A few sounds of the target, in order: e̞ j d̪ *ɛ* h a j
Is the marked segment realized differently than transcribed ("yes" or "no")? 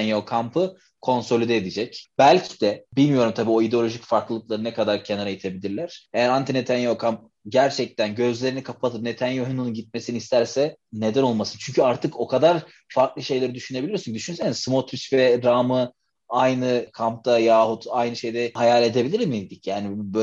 no